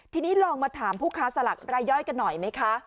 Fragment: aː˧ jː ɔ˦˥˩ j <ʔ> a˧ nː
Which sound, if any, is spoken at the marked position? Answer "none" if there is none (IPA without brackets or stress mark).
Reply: k